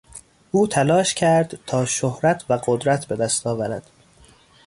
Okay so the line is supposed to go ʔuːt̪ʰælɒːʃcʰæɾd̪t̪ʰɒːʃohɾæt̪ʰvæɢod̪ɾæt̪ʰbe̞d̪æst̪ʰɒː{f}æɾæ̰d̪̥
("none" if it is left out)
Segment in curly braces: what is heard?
v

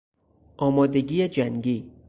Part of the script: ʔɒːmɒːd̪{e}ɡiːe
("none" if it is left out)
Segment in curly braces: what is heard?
e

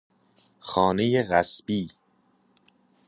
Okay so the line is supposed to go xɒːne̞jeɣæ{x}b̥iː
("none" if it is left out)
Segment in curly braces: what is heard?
s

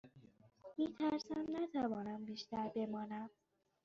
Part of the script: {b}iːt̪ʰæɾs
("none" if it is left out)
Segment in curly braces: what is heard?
m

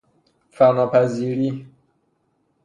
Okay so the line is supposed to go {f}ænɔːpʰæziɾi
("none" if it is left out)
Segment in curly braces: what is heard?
f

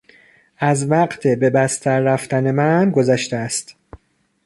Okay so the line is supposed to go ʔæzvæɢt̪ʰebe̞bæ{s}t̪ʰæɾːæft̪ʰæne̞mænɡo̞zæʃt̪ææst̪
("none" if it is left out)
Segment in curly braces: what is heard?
s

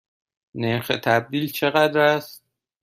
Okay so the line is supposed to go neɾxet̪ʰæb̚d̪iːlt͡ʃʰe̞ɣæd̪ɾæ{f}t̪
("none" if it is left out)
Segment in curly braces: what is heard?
s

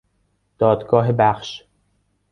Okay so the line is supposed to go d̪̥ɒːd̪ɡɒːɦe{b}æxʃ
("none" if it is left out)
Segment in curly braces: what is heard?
b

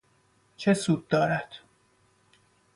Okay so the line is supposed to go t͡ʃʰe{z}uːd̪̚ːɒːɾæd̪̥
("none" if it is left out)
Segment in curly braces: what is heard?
s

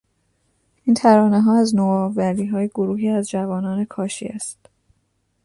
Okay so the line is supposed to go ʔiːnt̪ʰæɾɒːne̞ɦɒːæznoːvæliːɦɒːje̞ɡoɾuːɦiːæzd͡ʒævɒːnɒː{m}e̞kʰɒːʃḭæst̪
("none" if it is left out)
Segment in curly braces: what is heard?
n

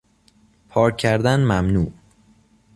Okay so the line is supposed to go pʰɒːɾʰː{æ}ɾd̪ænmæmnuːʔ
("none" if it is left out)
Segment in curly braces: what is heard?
æ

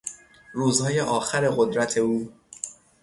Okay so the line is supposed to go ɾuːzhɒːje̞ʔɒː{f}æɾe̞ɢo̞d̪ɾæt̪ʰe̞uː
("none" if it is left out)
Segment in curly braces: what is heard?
x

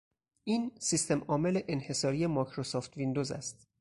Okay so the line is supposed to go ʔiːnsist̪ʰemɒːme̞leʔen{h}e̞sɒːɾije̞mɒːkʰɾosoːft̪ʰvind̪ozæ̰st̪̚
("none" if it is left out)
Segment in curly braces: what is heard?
h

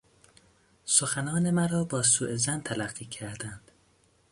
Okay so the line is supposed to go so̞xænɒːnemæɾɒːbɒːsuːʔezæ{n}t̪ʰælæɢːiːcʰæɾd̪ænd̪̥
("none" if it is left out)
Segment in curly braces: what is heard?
n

